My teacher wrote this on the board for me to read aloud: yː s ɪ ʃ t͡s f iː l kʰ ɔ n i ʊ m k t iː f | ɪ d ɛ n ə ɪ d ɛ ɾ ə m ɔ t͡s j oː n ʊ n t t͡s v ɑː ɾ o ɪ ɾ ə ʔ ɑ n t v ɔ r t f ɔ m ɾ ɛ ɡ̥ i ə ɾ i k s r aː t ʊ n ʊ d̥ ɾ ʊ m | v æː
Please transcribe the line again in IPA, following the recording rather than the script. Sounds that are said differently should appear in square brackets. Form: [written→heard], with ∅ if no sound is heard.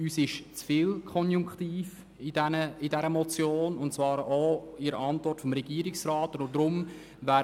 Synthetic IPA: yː s ɪ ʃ t͡s f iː l kʰ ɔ n [i→j] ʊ [m→ŋ] k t iː f | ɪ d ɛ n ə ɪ d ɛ ɾ ə m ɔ t͡s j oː n ʊ n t t͡s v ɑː ɾ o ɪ ɾ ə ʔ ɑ n t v ɔ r t f ɔ m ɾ ɛ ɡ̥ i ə ɾ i k s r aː t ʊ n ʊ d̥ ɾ ʊ m | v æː